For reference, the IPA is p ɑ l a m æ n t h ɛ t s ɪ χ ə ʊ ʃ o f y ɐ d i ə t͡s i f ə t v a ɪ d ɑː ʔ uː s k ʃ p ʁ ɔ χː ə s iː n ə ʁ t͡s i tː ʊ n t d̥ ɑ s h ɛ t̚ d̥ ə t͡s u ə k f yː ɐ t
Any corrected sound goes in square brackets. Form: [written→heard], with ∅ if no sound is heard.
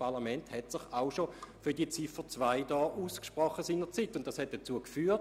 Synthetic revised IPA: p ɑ l a m [æ→ɛ] n t h ɛ t s ɪ χ [ə→a] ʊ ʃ o f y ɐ d i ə t͡s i f ə [t→t͡s] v a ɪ d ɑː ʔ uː s k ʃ p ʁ ɔ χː ə s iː n ə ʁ t͡s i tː ʊ n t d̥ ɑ s h ɛ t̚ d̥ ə t͡s u ə k f yː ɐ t